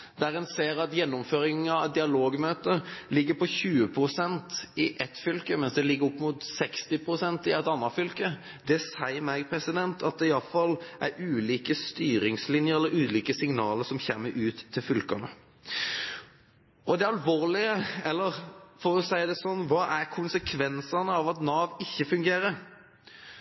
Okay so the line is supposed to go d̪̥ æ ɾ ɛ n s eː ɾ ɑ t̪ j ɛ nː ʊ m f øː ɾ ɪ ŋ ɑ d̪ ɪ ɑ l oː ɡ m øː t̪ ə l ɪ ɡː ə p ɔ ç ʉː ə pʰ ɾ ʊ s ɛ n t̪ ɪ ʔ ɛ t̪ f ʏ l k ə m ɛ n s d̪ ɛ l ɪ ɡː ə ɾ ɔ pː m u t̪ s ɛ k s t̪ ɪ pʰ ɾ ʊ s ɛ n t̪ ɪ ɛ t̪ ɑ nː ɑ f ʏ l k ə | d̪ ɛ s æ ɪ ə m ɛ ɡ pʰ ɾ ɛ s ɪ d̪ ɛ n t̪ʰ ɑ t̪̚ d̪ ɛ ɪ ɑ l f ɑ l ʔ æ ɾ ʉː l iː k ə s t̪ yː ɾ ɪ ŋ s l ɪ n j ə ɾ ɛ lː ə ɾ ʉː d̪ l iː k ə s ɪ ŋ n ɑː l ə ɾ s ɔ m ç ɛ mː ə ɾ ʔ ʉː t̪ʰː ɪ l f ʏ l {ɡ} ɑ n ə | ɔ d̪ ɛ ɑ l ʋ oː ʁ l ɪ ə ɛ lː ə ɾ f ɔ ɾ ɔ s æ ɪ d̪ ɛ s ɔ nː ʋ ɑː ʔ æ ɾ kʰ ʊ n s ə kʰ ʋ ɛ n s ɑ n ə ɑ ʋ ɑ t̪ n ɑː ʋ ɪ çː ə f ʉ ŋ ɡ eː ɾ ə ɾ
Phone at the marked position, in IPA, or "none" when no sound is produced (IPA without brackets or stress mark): k